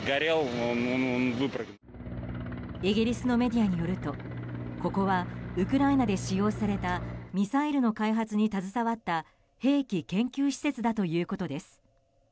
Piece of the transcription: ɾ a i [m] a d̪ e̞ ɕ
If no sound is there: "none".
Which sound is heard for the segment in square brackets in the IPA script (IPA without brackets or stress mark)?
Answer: n